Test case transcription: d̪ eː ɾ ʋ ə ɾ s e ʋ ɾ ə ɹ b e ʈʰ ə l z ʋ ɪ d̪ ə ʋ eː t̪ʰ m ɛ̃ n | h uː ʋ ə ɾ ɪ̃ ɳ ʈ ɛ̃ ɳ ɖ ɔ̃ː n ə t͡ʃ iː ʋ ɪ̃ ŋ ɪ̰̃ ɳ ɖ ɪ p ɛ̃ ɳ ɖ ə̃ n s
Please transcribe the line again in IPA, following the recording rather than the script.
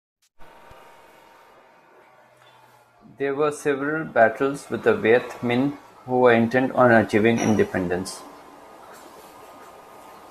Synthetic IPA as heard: d̪ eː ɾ ʋ ə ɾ s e ʋ ɾ ə l b æ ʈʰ ə l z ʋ ɪ d̪ ə ʋ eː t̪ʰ m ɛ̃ n | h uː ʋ ə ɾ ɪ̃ ɳ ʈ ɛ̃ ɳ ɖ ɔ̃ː n ə t͡ʃ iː ʋ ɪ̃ ŋ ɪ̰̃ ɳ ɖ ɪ p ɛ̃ ɳ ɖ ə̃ n s